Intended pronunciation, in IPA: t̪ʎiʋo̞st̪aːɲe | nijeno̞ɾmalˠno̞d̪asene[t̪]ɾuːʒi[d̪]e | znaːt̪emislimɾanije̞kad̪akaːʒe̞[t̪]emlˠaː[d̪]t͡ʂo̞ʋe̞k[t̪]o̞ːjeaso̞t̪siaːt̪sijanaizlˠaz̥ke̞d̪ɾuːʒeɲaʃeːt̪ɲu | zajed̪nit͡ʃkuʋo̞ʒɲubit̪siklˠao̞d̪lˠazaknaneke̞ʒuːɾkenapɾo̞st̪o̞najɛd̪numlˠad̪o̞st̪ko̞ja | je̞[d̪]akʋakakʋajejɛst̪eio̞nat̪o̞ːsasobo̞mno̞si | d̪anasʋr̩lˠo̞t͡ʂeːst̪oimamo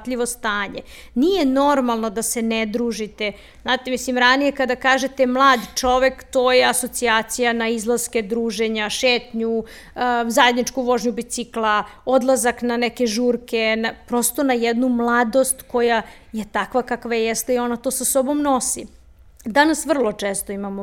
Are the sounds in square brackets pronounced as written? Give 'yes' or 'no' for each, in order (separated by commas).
no, no, yes, yes, yes, no